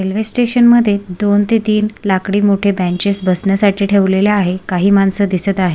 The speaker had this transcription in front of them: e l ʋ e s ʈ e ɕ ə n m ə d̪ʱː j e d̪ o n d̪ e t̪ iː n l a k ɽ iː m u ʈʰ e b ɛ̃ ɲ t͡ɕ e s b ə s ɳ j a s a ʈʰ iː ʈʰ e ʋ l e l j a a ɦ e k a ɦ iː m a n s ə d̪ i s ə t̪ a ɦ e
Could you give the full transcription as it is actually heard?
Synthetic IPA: e l ʋ e s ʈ e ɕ ə n m ə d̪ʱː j e d̪ o n t̪ e t̪ iː n l a k ɽ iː m o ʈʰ e b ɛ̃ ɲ t͡ɕ e s b ə s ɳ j a s a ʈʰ iː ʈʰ e ʋ l e l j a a ɦ e k a ɦ iː m a n s ə d̪ i s ə t̪ a ɦ e